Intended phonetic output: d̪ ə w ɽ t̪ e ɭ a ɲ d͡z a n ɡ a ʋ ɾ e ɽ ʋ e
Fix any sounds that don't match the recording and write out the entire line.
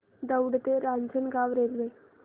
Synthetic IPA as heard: d̪ ə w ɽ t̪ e ɾ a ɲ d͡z ə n ɡ a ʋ ɾ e l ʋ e